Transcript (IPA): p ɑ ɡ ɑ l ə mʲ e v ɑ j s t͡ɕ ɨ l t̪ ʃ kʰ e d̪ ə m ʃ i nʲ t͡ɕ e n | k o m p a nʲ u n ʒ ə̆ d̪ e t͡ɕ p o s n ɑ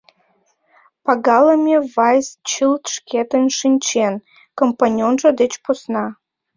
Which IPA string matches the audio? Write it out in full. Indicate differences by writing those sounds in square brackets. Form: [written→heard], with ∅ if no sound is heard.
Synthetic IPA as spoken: p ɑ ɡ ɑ l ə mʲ e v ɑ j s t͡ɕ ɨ l t̪ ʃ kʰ e [d̪→t̪] ə [m→n] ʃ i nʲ t͡ɕ e n | k o m p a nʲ [u→o] n ʒ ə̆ d̪ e t͡ɕ p o s n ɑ